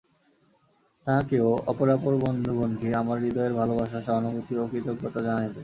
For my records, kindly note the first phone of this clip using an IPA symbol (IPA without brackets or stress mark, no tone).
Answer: t̪